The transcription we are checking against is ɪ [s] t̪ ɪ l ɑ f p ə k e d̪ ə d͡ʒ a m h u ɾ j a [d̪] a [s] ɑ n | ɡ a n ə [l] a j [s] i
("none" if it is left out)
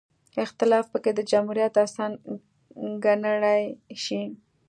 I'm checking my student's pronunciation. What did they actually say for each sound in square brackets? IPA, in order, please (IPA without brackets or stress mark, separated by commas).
x, t̪, s, ɽ, ʃ